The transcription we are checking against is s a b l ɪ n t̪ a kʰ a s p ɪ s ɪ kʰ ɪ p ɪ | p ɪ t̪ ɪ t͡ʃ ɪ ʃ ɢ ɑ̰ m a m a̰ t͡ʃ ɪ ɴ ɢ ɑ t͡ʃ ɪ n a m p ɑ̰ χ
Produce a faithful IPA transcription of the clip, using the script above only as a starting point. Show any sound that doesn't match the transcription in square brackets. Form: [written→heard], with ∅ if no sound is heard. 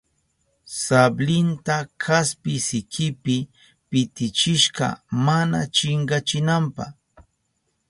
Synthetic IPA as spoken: s a b l ɪ n t̪ a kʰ a s p ɪ s ɪ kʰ ɪ p ɪ | p ɪ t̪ ɪ t͡ʃ ɪ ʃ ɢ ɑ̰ m a [m→n] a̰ t͡ʃ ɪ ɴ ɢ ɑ t͡ʃ ɪ n a m p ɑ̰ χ